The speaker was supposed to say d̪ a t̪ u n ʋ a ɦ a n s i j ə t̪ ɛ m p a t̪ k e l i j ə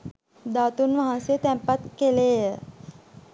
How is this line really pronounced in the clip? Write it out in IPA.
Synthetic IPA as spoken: d̪ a t̪ u n ʋ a ɦ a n s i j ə t̪ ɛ m p a t̪ k e l e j ə